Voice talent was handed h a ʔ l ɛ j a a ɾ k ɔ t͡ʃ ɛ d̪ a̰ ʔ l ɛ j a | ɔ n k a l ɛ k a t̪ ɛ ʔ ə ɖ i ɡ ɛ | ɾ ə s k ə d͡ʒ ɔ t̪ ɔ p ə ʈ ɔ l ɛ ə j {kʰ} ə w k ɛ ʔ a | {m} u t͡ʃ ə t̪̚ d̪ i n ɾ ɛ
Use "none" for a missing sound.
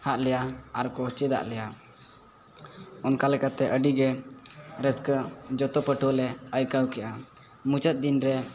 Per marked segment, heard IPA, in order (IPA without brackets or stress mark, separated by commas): k, m